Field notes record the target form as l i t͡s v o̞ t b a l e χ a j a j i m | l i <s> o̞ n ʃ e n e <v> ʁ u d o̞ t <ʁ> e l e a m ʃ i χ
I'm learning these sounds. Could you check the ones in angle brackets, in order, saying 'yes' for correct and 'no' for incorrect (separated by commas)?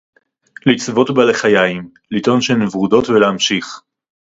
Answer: no, yes, no